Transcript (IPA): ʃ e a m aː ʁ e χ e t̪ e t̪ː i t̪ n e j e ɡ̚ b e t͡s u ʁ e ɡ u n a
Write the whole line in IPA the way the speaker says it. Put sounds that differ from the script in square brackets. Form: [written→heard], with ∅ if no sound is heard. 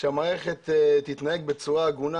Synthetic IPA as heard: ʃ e a m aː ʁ e χ e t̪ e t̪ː i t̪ n [e→a] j e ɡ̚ b e t͡s u ʁ [e→a] ɡ u n a